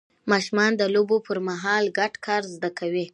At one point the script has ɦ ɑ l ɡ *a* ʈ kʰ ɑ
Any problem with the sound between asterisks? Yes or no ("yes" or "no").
no